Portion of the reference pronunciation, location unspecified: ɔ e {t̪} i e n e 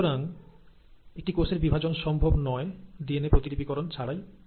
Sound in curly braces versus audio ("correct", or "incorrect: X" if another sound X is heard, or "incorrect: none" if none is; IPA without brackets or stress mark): incorrect: d̪